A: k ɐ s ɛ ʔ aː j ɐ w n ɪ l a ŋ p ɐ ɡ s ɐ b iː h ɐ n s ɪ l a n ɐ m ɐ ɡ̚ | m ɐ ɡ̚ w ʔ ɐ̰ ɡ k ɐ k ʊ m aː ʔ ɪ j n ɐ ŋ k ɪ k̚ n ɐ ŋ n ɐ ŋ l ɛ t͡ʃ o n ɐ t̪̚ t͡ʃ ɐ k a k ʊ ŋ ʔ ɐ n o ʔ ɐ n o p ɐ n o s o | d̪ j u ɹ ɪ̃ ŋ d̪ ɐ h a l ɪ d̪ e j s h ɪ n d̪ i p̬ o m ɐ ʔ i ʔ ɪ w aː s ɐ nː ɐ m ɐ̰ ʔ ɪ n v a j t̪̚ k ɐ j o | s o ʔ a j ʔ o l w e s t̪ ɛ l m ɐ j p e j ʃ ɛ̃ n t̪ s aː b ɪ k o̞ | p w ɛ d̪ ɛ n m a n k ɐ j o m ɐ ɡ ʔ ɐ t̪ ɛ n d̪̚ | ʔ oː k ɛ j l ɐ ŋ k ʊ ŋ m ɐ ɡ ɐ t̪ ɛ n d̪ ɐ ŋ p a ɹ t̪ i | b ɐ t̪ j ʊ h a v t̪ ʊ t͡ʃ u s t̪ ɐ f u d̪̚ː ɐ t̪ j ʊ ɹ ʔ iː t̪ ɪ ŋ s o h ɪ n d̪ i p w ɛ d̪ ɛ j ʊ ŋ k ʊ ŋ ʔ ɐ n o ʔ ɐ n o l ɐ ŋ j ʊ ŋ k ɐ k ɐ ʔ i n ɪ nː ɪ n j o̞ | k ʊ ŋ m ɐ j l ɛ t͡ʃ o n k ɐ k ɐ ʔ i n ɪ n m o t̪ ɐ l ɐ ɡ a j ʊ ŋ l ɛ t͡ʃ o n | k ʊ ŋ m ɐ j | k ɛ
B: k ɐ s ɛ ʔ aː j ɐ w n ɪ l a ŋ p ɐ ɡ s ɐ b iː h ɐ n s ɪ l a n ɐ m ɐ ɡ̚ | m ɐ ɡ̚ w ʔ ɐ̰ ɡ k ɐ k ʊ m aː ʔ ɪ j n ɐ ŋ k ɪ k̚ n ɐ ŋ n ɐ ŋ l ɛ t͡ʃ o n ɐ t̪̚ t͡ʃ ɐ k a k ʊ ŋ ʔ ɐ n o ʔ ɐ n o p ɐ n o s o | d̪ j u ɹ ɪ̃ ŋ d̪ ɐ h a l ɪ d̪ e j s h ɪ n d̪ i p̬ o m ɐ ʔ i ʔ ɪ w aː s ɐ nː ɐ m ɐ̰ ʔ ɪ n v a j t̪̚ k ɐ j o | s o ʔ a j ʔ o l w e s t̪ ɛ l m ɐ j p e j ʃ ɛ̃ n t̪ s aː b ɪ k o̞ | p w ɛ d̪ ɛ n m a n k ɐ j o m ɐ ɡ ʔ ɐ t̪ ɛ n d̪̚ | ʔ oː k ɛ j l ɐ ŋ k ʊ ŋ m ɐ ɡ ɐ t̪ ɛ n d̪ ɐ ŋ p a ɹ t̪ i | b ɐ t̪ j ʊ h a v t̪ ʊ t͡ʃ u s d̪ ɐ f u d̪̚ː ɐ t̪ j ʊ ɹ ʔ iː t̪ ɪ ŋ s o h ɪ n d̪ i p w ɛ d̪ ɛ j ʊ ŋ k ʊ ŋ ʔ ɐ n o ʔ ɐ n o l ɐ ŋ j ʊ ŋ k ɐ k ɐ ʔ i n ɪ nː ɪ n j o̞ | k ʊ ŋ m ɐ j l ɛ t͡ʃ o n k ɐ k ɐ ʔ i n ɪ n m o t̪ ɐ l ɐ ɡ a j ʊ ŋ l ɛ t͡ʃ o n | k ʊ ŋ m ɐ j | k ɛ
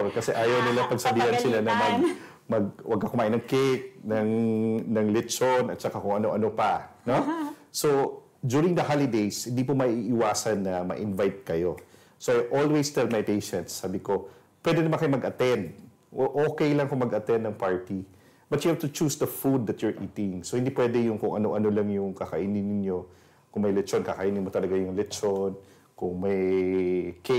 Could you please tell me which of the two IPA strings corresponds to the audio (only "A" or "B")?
B